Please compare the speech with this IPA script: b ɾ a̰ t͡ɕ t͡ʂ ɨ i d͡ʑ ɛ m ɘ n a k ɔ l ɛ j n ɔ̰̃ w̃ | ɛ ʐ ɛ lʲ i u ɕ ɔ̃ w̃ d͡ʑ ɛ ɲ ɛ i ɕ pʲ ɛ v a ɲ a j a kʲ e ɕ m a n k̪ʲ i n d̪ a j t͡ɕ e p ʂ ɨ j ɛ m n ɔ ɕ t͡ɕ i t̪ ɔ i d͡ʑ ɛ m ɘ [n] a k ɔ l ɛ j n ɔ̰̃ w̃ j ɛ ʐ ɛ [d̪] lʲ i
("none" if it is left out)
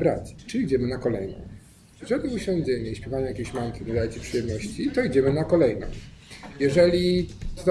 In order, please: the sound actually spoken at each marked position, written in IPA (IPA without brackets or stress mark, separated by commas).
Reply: n, none